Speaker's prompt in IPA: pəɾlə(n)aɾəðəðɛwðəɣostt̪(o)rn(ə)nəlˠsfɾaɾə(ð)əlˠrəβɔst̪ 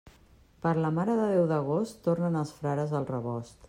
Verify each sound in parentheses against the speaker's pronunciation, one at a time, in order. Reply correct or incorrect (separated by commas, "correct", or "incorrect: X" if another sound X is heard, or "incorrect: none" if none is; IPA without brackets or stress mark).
incorrect: m, correct, correct, incorrect: z